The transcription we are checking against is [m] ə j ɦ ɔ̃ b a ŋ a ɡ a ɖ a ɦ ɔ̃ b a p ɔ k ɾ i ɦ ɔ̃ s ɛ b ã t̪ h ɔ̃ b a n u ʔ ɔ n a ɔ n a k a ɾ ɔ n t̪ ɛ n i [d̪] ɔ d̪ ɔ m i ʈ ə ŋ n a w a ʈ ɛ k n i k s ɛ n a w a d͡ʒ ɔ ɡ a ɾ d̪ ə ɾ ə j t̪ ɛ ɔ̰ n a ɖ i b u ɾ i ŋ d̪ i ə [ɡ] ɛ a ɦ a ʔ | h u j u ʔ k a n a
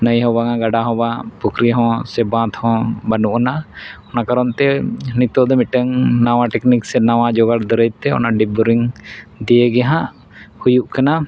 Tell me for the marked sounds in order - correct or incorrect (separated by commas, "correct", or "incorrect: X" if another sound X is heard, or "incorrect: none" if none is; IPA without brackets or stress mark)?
incorrect: n, incorrect: t̪, correct